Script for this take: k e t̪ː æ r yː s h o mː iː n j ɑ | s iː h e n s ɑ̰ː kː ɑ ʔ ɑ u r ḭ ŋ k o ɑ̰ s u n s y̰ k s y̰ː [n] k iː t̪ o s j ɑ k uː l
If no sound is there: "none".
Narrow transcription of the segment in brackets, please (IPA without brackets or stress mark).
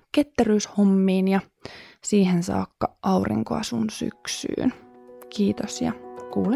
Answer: n